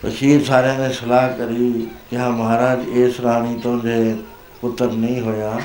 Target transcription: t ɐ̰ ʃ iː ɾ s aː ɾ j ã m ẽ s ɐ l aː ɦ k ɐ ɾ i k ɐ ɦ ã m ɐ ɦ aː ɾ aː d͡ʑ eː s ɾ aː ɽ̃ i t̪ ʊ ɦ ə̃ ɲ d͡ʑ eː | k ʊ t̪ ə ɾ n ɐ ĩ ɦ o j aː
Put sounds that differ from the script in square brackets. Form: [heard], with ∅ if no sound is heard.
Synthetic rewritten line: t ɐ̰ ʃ iː ɾ s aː ɾ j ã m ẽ s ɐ l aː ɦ k ɐ ɾ i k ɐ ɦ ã m ɐ ɦ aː ɾ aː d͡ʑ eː s ɾ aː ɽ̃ i t̪ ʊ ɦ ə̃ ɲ d͡ʑ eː | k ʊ t̪ ə ɾ n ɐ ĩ ɦ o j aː